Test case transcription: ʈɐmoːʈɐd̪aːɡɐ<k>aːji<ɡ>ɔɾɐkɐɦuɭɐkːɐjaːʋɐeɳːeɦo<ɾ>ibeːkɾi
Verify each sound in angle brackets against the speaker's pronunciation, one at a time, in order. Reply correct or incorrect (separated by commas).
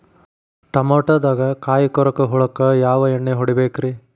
correct, incorrect, incorrect